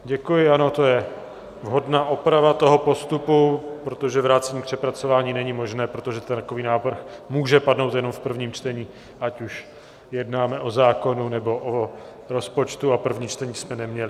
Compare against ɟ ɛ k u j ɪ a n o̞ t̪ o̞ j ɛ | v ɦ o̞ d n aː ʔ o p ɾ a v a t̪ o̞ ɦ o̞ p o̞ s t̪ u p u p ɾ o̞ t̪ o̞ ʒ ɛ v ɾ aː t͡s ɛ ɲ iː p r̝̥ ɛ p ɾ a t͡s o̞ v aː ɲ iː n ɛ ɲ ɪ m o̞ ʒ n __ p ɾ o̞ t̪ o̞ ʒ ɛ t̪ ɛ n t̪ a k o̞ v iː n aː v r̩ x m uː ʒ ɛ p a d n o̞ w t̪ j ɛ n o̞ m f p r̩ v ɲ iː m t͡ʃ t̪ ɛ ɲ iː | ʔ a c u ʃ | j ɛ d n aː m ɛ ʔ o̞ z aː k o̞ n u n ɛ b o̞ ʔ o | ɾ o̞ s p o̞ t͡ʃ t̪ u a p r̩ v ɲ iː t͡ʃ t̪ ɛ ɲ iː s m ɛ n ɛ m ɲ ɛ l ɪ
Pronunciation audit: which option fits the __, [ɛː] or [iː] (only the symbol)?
ɛː